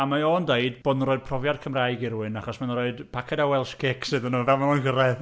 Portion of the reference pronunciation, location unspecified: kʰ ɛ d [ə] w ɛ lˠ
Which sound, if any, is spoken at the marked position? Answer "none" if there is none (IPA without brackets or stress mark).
a